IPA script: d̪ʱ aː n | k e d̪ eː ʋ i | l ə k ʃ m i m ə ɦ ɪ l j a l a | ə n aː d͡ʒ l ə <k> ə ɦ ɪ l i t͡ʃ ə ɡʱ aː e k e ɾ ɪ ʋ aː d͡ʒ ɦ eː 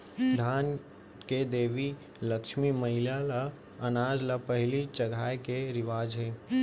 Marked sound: incorrect: p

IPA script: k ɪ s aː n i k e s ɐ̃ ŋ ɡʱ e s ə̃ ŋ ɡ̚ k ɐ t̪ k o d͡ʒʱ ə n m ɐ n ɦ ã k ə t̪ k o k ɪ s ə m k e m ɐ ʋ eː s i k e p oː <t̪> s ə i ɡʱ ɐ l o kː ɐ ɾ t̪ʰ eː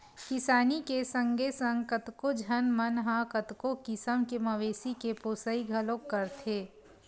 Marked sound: incorrect: none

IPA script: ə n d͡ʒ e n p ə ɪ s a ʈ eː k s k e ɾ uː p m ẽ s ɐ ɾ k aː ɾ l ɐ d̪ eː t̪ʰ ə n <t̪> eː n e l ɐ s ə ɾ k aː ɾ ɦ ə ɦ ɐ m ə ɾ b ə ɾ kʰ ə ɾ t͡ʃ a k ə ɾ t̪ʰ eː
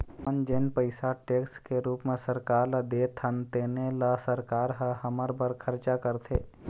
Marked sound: correct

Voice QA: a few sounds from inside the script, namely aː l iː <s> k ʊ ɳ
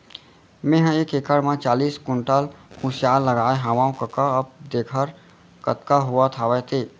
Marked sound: correct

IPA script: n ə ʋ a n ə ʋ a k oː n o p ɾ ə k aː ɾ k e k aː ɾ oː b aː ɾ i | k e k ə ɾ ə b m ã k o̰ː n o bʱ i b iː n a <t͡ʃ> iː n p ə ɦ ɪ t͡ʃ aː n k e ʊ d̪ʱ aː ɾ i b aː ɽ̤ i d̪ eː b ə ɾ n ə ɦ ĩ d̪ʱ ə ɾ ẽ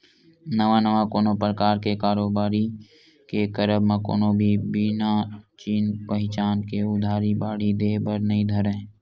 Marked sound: correct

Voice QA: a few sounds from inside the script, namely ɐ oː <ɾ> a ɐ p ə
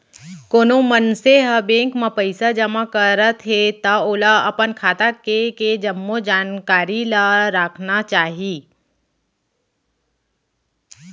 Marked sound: incorrect: l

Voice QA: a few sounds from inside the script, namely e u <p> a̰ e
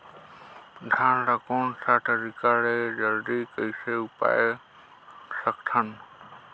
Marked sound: correct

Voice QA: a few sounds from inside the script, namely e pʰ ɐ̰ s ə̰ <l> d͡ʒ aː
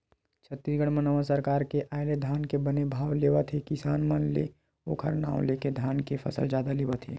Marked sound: correct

